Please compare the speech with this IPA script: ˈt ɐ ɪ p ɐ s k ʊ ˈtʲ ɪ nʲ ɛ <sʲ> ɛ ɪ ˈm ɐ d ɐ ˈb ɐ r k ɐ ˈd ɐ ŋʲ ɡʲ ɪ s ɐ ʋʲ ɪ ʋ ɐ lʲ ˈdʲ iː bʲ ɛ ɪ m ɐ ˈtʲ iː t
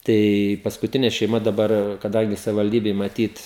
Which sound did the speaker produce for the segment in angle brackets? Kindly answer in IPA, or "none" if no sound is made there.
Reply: ʃʲ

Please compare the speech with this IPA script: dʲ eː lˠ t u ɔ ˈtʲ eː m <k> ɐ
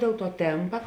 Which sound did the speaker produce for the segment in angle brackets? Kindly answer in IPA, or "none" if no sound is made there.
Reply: p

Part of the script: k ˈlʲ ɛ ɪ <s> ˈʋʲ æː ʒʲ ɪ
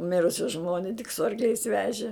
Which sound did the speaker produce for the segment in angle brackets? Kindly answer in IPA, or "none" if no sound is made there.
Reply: s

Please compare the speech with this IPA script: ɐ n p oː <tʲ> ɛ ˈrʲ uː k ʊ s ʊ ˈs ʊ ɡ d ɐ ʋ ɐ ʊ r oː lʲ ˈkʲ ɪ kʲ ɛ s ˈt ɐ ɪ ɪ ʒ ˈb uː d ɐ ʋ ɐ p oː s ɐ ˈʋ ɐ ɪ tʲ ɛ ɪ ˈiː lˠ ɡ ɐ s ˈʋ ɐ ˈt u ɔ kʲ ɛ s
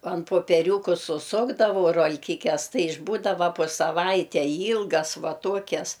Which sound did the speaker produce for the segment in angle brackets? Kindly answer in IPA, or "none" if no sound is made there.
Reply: pʲ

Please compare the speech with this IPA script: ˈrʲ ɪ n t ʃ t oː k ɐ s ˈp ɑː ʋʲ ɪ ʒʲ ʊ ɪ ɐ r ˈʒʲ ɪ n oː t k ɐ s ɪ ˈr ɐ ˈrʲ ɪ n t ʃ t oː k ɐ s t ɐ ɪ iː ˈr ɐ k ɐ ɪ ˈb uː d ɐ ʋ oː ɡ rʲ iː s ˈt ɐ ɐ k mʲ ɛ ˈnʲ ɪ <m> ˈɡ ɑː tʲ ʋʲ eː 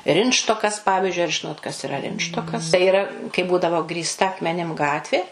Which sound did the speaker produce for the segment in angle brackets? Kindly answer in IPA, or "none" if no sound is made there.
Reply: m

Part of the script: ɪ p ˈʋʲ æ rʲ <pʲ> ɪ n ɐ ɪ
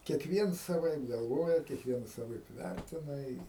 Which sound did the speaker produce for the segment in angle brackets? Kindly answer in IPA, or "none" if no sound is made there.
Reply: tʲ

